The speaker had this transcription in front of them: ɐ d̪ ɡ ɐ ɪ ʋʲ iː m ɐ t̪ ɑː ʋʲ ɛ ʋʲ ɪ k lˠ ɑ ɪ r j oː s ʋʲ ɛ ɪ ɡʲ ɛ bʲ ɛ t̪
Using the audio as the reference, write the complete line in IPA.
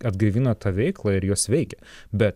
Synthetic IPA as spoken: ɐ d̪ ɡ ɐ ɪ ʋʲ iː n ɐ t̪ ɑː ʋʲ ɛ ɪ k lˠ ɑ ɪ ɾ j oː s ʋʲ ɛ ɪ kʲ ɛ bʲ ɛ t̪